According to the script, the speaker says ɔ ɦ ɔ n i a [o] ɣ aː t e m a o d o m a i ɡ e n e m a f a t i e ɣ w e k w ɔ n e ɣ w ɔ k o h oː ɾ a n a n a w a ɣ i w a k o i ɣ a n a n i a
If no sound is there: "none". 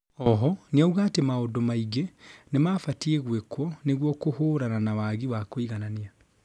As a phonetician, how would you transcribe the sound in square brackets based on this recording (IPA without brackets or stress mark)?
u